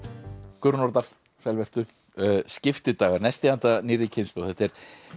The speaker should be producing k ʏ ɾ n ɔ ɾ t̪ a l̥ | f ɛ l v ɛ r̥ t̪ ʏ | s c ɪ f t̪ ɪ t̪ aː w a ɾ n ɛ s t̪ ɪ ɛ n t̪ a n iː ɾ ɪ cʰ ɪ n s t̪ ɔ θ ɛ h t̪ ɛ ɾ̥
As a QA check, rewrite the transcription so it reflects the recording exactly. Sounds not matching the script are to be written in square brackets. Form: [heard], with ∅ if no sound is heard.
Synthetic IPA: k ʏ ɾ n ɔ ɾ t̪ a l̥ | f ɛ l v ɛ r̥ t̪ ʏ | s c ɪ f t̪ ɪ t̪ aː [ɣ] a ɾ n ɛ s t̪ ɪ [a] n t̪ a n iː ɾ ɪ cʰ ɪ n s t̪ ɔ θ ɛ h t̪ ɛ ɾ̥

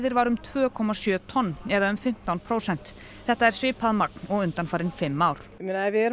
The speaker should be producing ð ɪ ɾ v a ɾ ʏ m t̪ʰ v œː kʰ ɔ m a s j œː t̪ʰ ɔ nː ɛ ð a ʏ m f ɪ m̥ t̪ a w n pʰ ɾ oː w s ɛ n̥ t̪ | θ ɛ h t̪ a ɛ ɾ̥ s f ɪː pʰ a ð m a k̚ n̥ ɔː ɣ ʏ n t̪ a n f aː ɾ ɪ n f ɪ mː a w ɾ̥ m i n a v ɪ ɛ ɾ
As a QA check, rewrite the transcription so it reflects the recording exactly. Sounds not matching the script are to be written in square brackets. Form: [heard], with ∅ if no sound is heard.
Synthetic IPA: ð ɪ ɾ v a ɾ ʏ m t̪ʰ v œː kʰ ɔ m a s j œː t̪ʰ ɔ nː ɛ ð a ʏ m f ɪ m̥ t̪ a w n pʰ ɾ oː w s ɛ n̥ t̪ | θ ɛ h t̪ a ɛ ɾ̥ s [v] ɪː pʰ a ð m a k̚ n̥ [ɔ] ɣ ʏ n t̪ a n f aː ɾ ɪ n f ɪ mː a w ɾ̥ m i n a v ɪ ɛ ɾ

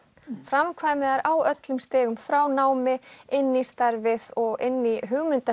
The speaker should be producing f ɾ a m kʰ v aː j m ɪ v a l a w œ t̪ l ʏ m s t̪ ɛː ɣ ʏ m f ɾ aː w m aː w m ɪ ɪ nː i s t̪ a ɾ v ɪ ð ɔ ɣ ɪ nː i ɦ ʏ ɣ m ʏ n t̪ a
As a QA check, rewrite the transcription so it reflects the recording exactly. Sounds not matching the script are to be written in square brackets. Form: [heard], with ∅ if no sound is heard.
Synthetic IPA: f ɾ a m kʰ v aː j m ɪ [ð] a [ɾ] a w œ t̪ l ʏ m s t̪ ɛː ɣ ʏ m f ɾ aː w [n] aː w m ɪ ɪ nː i s t̪ a ɾ v ɪ ð ɔ ɣ ɪ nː i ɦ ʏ ɣ m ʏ n t̪ a

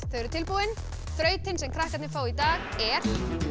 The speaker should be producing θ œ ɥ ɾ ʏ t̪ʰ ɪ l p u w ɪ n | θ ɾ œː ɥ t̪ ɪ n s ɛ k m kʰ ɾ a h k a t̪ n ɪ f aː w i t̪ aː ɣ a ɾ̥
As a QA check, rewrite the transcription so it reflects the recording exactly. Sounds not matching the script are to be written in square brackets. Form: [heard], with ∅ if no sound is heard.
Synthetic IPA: θ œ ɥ ɾ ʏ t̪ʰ ɪ l p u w ɪ n | θ ɾ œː ɥ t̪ ɪ n s ɛ [∅] m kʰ ɾ a h k a t̪ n ɪ f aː w i t̪ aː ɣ [ɛ] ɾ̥

